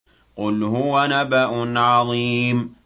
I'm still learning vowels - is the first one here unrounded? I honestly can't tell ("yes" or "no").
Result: no